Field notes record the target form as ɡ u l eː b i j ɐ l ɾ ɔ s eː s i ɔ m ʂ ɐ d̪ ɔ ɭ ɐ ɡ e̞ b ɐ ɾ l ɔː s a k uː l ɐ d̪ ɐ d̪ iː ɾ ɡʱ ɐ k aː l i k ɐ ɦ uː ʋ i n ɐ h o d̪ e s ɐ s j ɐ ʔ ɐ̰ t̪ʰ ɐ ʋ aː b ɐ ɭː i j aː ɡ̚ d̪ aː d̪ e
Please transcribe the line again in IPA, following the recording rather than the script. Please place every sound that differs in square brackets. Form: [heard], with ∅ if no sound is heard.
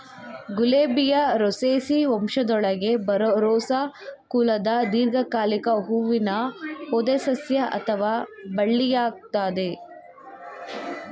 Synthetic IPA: ɡ u l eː b i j ɐ [∅] ɾ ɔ s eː s i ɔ m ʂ ɐ d̪ ɔ ɭ ɐ ɡ e̞ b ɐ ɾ [ɾ] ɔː s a k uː l ɐ d̪ ɐ d̪ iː ɾ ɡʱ ɐ k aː l i k ɐ ɦ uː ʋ i n ɐ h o d̪ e s ɐ s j ɐ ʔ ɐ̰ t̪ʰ ɐ ʋ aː b ɐ ɭː i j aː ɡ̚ [t̪] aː d̪ e